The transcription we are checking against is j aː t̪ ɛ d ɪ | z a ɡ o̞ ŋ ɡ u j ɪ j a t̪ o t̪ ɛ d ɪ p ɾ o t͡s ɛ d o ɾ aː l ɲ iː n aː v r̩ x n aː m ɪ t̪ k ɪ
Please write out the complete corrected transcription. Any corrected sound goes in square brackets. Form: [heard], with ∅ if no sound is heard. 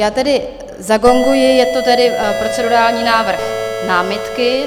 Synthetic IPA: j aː t̪ ɛ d ɪ | z a ɡ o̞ ŋ ɡ u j ɪ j [ɛ] t̪ o t̪ ɛ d ɪ p ɾ o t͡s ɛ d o ɾ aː l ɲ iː n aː v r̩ x n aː m ɪ t̪ k ɪ